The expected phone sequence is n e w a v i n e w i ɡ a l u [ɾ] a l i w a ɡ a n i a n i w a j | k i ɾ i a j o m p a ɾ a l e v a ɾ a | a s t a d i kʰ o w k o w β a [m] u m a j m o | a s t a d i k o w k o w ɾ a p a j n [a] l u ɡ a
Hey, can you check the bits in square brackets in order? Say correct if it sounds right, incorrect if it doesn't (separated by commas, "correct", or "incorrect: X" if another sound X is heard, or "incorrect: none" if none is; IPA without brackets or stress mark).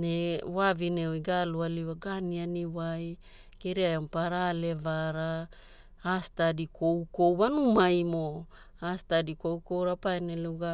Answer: incorrect: none, incorrect: n, incorrect: e